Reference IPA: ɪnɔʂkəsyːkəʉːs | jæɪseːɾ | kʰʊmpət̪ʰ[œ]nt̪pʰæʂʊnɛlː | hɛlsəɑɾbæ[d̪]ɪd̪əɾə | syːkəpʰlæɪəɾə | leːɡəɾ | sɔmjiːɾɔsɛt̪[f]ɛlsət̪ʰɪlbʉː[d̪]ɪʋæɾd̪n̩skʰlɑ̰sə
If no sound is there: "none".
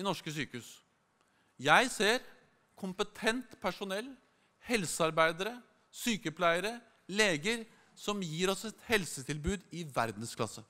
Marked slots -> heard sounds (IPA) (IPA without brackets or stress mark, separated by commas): ɛ, none, h, d̪